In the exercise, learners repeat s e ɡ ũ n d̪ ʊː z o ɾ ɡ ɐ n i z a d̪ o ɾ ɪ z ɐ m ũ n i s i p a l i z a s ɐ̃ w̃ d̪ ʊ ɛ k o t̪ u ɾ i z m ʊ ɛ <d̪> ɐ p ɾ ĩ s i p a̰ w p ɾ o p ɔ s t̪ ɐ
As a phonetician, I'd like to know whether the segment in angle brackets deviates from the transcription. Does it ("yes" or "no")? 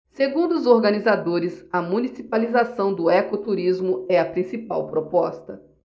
yes